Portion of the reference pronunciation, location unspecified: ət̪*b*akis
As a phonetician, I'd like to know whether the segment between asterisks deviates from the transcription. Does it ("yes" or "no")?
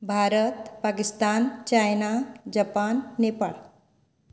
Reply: yes